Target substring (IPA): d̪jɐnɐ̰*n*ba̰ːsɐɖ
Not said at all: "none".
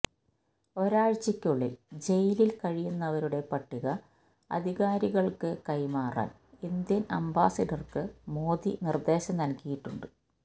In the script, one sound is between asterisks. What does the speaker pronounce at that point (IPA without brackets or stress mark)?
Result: m